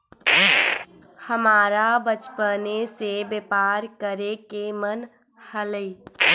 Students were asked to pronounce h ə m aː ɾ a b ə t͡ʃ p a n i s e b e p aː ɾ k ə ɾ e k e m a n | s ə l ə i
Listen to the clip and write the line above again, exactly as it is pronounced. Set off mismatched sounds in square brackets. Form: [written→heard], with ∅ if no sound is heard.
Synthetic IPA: h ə m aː ɾ a b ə t͡ʃ p [a→ə] n [i→e] s e b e p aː ɾ k ə ɾ e k e m [a→ə] n | [s→h] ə l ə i